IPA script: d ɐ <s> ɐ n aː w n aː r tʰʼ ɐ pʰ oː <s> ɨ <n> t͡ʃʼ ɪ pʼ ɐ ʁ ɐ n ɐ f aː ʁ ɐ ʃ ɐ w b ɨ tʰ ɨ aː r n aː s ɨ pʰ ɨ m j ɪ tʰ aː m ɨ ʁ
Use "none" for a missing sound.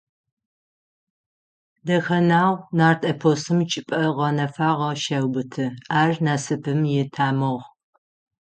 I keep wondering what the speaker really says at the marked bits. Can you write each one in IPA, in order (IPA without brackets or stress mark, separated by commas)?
x, s, m